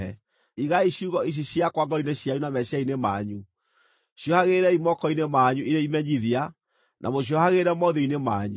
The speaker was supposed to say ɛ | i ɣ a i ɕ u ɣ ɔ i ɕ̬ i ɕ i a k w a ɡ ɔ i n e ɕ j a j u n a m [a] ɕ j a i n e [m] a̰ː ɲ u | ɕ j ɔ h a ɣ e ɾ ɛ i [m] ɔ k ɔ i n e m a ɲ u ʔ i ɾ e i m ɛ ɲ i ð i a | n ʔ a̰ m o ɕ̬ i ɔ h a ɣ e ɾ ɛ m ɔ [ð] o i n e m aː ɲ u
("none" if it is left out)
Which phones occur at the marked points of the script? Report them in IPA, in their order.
ɛ, m, m, ð

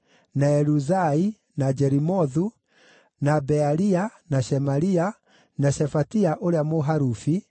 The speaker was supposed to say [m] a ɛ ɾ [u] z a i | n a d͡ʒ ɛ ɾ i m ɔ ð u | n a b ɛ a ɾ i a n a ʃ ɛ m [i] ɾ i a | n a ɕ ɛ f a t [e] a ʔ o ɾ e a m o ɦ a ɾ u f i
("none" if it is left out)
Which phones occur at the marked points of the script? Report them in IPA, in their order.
n, u, a, i

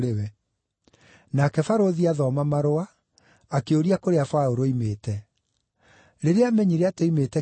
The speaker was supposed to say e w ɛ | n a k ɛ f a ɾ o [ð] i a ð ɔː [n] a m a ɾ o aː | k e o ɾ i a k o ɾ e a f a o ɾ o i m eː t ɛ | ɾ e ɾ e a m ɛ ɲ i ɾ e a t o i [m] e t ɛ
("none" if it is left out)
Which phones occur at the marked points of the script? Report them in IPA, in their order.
ð, m, m

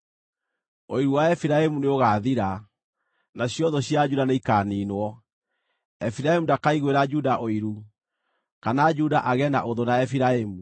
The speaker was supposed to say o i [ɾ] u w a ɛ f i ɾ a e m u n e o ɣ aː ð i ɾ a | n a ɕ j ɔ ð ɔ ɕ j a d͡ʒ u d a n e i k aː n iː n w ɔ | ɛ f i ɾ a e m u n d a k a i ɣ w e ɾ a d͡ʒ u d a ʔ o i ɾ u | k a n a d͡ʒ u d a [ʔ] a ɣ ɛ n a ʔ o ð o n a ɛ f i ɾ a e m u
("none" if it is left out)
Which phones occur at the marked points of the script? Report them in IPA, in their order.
ɾ, ʔ

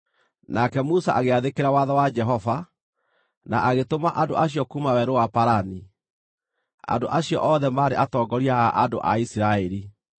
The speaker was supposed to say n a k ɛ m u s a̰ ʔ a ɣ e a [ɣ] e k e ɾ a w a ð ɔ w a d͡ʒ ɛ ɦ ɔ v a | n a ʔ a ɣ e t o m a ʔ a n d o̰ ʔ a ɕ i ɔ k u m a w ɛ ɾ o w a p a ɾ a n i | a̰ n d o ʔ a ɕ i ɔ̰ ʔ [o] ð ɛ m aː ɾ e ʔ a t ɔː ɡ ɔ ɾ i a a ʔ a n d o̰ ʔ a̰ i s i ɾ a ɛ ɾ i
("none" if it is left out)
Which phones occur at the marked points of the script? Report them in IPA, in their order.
ð, ɔ

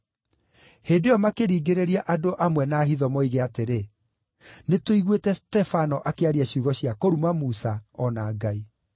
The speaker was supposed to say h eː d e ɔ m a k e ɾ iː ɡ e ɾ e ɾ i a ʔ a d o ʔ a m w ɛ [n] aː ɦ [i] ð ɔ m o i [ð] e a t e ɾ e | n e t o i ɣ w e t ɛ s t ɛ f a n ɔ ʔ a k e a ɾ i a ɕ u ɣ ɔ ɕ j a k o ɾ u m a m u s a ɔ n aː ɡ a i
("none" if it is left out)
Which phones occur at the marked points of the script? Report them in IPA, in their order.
n, i, ɣ

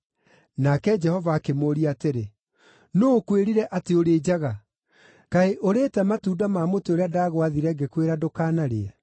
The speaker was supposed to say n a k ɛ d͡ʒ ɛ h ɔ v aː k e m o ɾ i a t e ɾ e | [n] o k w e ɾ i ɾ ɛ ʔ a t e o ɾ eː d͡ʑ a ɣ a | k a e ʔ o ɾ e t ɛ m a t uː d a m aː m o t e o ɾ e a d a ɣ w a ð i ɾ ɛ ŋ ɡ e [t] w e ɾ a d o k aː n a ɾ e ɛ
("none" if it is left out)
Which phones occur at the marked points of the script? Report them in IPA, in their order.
n, k

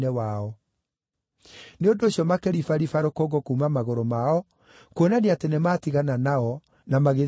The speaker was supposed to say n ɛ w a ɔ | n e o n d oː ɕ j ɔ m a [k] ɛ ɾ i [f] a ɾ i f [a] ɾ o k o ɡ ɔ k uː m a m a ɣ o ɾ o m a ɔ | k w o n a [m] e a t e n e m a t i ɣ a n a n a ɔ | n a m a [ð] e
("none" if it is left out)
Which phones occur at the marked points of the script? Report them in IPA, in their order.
k, f, a, n, ɣ

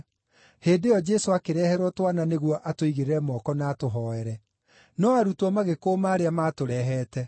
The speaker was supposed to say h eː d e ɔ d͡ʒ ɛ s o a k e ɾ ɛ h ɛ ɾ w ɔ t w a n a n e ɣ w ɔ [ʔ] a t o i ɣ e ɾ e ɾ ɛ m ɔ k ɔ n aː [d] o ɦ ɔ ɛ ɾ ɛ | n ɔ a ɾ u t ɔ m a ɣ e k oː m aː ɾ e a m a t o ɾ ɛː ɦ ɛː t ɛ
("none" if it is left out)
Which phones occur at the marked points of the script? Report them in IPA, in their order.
ʔ, t

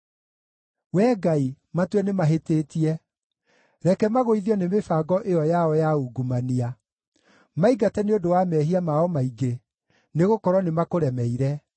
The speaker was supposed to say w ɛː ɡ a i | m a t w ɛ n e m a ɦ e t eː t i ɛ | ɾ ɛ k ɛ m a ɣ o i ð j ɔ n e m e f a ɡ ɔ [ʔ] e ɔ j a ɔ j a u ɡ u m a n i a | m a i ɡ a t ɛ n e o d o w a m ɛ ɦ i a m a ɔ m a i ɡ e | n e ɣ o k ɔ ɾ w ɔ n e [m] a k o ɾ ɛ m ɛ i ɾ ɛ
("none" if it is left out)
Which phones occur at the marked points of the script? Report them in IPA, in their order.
ʔ, m

